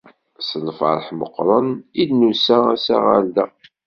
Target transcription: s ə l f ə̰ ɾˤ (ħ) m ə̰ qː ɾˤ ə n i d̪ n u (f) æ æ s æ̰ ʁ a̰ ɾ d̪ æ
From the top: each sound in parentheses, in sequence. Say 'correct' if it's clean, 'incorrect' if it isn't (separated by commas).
correct, incorrect